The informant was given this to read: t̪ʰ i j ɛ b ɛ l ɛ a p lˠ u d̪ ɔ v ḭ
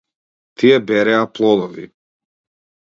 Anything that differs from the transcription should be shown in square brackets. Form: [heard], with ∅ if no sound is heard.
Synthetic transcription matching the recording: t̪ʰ i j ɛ b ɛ [ɾ] ɛ a p lˠ [ɔ] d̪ ɔ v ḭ